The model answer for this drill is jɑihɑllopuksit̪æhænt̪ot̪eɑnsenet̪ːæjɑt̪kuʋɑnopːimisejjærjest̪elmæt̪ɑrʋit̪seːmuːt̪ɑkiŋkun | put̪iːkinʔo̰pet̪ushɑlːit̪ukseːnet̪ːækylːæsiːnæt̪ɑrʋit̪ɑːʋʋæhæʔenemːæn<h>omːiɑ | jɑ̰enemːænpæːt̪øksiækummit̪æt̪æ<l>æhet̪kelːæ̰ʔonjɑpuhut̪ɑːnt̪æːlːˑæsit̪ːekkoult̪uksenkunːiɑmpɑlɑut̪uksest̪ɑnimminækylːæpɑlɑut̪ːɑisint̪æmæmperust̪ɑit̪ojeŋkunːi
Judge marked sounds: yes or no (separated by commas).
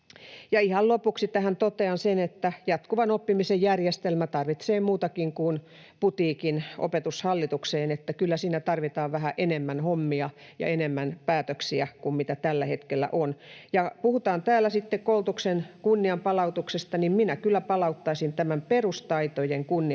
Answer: yes, no